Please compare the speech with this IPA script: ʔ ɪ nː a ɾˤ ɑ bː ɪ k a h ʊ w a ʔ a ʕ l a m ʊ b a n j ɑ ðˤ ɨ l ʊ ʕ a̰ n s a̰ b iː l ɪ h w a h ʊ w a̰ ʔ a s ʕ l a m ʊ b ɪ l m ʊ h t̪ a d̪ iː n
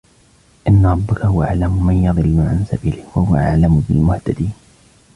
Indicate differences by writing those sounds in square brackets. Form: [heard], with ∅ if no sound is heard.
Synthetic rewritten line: ʔ ɪ nː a ɾˤ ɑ bː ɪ k a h ʊ w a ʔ a ʕ l a m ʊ [m] a n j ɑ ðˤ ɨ [lː] ʊ ʕ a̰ n s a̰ b iː l ɪ h w a h ʊ w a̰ ʔ a [∅] ʕ l a m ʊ b ɪ l m ʊ h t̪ a d̪ iː n